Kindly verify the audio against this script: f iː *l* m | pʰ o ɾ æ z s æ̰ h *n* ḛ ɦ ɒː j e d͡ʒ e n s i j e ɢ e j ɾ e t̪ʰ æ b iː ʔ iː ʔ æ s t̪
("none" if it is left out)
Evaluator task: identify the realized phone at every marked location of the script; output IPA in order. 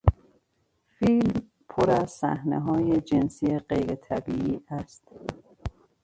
l, n

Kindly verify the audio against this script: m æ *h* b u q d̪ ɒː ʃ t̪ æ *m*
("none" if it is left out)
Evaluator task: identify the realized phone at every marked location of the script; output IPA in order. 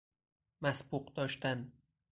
s, n

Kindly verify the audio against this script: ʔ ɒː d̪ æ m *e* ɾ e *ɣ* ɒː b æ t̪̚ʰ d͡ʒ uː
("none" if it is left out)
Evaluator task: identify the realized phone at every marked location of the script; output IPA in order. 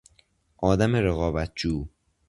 e, ɣ

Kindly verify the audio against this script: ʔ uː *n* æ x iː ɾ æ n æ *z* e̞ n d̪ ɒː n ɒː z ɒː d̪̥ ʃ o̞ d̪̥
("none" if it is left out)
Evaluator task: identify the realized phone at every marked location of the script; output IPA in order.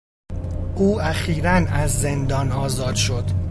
none, zː

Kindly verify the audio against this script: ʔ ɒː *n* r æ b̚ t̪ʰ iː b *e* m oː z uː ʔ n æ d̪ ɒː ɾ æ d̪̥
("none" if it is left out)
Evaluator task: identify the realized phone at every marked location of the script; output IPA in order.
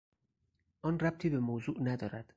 n, e

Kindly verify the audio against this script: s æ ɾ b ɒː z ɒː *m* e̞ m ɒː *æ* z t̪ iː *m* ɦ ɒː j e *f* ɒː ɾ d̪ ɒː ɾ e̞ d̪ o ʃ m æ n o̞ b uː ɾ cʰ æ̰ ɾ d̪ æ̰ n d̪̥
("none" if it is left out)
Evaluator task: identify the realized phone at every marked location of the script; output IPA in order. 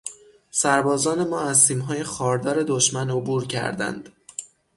n, æ, m, x

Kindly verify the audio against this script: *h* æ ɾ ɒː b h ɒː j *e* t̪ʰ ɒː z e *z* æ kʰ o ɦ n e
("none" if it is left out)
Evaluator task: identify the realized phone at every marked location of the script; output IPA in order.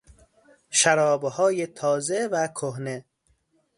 ʃ, e, v

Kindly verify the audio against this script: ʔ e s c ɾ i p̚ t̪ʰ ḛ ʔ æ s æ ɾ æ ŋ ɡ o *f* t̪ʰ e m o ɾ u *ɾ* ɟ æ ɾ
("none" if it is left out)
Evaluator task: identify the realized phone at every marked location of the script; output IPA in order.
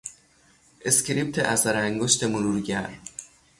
ʃ, ɾ

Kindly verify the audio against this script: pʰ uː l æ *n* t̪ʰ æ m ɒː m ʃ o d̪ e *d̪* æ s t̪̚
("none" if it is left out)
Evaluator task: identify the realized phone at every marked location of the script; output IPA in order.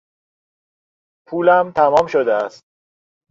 m, none

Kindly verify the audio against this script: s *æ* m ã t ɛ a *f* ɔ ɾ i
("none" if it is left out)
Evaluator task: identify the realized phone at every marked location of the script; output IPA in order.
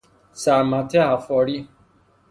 a, f

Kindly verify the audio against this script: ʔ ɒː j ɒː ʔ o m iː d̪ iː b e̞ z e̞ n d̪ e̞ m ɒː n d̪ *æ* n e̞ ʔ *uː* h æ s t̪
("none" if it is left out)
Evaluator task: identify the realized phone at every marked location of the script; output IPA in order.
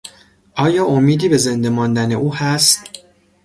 æ, uː

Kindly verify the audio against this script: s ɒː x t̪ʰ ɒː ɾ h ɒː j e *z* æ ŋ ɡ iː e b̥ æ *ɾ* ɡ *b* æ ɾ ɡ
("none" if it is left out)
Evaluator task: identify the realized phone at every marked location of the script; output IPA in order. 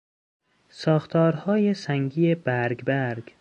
s, ɾ, b

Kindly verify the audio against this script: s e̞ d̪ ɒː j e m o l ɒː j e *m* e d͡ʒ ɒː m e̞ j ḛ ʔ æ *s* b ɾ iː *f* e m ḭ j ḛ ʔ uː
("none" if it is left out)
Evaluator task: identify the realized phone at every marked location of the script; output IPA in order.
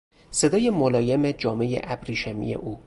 m, none, ʃ

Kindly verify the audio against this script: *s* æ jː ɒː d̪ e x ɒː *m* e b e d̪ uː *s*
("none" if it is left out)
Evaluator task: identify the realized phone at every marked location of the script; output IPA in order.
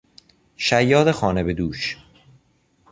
ʃ, n, ʃ

